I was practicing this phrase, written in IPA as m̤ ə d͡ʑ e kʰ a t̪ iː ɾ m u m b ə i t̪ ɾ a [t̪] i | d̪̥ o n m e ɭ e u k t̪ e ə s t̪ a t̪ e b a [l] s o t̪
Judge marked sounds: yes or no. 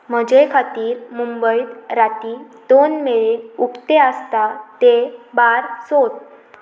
yes, no

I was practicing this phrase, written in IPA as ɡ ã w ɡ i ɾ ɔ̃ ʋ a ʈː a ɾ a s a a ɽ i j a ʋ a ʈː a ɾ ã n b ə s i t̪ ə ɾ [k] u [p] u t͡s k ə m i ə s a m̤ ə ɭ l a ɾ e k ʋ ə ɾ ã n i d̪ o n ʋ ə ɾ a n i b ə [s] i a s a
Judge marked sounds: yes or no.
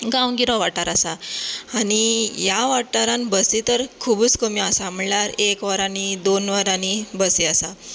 no, no, yes

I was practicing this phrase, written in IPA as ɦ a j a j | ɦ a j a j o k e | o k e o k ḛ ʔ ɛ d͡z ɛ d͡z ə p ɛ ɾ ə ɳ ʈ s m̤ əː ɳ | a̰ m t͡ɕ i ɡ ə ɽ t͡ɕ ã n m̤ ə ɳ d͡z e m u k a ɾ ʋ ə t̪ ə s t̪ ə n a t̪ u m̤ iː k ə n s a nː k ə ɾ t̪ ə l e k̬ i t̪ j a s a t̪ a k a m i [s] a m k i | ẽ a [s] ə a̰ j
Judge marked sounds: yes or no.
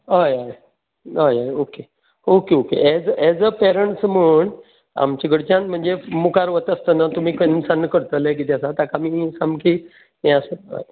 yes, yes

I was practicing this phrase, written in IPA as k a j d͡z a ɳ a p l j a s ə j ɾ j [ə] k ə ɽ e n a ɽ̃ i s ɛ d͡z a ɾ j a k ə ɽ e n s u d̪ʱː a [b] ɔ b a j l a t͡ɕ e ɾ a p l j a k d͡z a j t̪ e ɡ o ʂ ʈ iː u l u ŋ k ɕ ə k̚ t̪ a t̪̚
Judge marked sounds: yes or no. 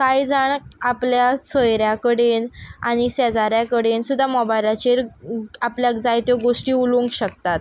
no, no

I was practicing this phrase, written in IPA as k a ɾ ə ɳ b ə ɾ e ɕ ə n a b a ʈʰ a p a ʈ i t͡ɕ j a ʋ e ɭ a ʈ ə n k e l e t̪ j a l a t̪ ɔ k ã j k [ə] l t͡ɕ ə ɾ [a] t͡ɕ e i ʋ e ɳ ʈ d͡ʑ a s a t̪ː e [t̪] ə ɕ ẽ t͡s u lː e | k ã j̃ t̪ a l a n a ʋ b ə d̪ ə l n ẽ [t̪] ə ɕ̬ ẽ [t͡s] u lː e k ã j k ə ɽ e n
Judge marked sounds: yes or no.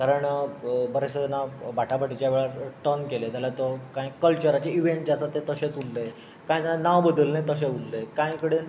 yes, yes, yes, yes, no

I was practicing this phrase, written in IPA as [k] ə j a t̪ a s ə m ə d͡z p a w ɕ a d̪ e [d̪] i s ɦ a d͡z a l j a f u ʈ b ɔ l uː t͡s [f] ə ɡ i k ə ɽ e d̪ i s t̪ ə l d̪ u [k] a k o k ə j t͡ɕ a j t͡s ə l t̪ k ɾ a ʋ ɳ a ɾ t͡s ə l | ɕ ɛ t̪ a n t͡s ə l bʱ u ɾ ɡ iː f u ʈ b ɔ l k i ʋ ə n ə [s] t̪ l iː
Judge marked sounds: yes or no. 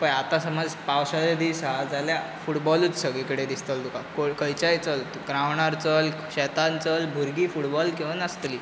no, yes, no, yes, yes

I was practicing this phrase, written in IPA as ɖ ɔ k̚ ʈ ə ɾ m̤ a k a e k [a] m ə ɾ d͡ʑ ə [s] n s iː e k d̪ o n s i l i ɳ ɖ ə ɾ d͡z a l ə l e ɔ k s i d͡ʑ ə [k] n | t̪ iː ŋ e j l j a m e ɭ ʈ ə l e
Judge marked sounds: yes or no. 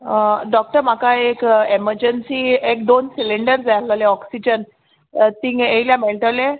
no, no, no

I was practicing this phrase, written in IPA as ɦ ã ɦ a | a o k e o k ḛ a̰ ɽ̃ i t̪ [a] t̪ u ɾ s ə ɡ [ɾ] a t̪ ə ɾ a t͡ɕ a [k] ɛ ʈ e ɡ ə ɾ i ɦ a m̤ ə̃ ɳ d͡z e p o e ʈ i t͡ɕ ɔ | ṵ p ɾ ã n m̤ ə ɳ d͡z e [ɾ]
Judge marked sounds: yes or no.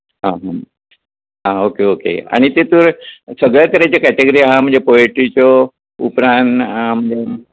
no, no, yes, no

